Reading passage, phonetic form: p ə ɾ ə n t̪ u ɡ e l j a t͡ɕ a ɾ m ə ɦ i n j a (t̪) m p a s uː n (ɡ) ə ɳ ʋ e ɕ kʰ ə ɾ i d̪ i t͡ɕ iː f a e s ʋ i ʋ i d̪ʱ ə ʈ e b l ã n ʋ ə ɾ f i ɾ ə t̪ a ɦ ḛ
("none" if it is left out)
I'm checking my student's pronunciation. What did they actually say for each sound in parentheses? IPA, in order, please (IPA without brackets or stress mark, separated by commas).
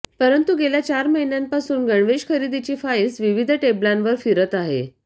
none, ɡ